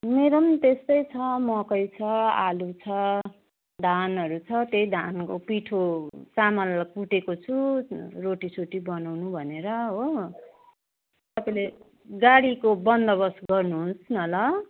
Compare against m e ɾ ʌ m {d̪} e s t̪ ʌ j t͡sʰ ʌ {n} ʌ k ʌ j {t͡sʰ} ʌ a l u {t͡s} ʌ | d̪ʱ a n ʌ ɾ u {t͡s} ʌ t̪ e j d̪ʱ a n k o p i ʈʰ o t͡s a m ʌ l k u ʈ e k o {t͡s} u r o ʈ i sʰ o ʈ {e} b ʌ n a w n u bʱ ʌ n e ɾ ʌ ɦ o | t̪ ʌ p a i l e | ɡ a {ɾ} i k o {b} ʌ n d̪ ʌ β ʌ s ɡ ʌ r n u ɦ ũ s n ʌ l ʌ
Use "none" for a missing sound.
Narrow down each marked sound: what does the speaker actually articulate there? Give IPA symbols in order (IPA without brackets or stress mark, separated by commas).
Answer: t̪, m, t͡sʰ, t͡sʰ, t͡sʰ, t͡sʰ, i, ɽ, b